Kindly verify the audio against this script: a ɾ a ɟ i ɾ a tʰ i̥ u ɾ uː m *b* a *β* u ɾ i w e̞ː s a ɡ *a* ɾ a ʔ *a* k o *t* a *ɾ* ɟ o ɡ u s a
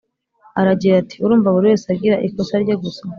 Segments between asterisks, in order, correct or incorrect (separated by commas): incorrect, correct, incorrect, incorrect, incorrect, correct